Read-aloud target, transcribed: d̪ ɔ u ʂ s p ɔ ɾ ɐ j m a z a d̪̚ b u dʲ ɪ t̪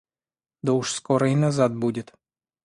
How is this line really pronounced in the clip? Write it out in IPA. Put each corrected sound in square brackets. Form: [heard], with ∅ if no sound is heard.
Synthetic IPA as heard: d̪ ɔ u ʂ s [k] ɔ ɾ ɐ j [n] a z a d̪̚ b u dʲ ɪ t̪